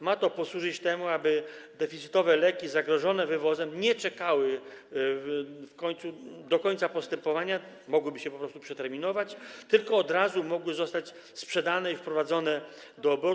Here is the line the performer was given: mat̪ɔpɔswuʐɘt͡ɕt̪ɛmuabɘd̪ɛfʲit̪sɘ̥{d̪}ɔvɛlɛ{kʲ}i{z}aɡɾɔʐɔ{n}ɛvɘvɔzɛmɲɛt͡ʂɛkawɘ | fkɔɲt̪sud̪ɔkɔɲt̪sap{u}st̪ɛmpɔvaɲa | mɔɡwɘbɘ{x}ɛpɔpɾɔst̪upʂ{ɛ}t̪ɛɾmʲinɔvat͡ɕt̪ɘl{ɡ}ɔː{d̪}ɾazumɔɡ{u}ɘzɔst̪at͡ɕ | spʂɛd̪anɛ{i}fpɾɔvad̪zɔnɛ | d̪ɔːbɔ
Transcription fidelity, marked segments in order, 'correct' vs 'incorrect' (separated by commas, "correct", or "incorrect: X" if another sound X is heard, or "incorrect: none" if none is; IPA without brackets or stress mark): incorrect: t̪, correct, correct, correct, incorrect: ɔ, incorrect: ɕ, correct, incorrect: k, correct, incorrect: w, correct